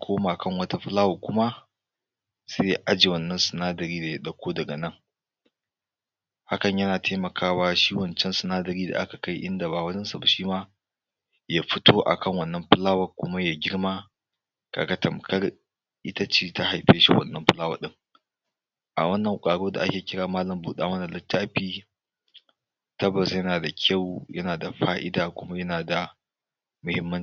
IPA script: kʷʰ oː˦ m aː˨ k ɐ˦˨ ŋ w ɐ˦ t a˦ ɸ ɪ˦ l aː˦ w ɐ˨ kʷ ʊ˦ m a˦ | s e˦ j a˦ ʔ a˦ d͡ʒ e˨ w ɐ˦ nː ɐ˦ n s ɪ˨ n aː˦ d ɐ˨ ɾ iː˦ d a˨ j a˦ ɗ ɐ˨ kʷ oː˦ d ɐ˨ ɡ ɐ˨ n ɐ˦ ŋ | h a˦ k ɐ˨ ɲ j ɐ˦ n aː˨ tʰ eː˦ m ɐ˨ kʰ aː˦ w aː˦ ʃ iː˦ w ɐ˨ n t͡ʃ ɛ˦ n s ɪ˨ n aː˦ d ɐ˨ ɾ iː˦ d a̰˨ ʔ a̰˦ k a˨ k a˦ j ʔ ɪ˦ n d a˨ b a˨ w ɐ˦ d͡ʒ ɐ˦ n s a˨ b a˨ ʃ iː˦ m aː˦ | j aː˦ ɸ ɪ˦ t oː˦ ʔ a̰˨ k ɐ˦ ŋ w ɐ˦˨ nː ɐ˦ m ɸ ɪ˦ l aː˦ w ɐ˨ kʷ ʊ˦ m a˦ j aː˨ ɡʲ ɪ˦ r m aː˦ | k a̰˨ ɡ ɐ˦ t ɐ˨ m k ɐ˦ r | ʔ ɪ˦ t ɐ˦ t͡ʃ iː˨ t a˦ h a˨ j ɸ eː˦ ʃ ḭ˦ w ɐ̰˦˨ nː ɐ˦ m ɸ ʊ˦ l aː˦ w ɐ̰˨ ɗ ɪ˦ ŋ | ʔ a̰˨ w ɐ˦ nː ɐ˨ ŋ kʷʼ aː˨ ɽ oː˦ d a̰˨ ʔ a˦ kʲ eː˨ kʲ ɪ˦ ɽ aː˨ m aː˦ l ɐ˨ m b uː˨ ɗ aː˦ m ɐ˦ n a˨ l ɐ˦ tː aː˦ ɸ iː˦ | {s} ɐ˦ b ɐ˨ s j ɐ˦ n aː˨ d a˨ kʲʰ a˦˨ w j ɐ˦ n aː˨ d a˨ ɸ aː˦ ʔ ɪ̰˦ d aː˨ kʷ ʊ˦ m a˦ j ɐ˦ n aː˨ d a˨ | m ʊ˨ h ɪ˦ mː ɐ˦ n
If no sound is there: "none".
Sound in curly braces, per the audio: t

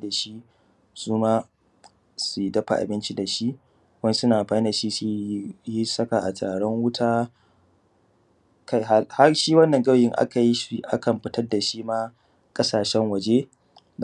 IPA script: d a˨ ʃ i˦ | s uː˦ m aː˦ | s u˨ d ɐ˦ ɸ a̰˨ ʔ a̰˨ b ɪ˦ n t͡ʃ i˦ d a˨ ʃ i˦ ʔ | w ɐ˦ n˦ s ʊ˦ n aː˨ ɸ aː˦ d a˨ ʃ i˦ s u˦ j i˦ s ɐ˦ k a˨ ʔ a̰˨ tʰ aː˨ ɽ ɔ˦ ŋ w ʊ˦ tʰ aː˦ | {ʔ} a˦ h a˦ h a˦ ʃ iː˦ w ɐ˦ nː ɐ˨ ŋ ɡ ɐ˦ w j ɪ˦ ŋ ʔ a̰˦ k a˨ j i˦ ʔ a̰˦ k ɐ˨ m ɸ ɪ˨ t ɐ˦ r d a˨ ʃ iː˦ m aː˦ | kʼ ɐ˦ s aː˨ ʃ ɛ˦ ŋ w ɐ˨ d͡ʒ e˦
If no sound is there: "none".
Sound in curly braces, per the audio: k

